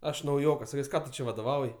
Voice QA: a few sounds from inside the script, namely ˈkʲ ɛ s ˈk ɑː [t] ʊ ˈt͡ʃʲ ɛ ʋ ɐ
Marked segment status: correct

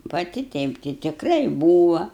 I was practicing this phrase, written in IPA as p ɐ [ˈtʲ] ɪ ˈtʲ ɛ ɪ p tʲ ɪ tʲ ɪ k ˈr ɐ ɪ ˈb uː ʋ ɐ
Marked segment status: correct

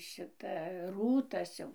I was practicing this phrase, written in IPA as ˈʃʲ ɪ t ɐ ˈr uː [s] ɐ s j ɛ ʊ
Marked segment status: incorrect: t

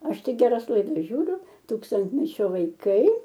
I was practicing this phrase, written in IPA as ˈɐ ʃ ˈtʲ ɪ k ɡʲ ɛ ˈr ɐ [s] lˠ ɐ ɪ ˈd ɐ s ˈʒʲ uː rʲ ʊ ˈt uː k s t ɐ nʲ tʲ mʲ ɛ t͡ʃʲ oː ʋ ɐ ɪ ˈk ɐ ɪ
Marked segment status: correct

